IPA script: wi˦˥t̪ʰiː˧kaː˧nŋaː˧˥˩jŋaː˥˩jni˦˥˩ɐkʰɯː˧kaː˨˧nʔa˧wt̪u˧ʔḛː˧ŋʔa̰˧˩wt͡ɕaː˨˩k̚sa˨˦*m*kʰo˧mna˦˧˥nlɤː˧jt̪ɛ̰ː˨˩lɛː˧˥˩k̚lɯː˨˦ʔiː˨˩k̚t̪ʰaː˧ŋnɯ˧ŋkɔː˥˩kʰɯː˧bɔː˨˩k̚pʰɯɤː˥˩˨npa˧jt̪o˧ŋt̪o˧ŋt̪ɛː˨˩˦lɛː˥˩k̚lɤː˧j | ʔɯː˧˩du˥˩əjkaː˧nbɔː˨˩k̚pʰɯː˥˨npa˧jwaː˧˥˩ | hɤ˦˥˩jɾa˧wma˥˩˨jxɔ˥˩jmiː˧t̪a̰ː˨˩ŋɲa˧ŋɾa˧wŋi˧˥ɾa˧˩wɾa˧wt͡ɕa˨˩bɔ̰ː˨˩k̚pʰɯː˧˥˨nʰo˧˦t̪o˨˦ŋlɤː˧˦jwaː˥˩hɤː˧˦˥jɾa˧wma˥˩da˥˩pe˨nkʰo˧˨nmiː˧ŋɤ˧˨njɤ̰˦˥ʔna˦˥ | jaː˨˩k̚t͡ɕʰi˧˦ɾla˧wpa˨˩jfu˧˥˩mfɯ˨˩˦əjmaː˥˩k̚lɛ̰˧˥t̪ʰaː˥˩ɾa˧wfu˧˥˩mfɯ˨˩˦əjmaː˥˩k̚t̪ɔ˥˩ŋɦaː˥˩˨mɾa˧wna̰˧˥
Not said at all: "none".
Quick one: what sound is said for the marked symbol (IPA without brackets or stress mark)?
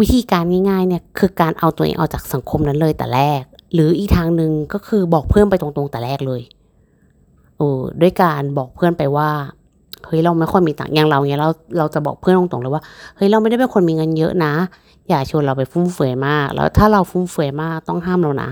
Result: ŋ